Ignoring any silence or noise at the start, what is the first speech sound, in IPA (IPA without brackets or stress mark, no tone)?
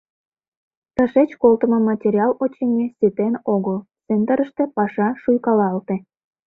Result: t̪